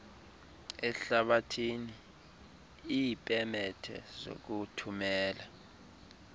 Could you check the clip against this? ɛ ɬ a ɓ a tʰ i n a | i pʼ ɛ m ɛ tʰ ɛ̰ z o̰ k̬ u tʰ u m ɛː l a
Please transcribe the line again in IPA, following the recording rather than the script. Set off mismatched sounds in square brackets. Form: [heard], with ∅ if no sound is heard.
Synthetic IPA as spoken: ɛ ɬ a ɓ a tʰ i n [i] | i pʼ ɛ m ɛ tʰ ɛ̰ z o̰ k̬ u tʰ u m ɛː l a